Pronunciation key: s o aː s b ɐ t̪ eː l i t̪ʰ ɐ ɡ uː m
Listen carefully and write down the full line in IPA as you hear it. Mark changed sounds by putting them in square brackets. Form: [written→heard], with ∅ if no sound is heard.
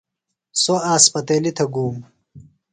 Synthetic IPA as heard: s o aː s [b→p] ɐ t̪ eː l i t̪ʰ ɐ ɡ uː m